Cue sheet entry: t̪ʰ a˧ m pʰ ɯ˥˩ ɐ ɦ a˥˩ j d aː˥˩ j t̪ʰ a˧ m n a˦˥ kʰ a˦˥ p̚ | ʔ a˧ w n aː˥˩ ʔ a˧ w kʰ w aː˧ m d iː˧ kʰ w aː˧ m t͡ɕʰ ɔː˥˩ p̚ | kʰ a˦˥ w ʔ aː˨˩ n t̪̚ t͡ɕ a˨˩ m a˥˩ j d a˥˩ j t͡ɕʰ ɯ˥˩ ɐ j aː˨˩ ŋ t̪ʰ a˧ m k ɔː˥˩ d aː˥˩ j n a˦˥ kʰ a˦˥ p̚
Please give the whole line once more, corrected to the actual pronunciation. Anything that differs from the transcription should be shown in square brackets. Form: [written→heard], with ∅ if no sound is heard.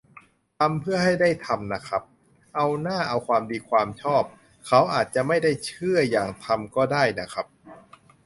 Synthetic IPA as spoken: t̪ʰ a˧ m pʰ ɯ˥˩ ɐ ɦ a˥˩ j d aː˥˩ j t̪ʰ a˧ m n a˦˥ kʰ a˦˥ p̚ | ʔ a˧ w n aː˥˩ ʔ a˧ w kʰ w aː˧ m d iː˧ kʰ w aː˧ m t͡ɕʰ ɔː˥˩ p̚ | kʰ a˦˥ w ʔ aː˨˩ [n→∅] t̪̚ t͡ɕ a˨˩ m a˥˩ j d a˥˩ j t͡ɕʰ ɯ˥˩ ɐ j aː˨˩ ŋ t̪ʰ a˧ m k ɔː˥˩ d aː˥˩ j n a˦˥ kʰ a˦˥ p̚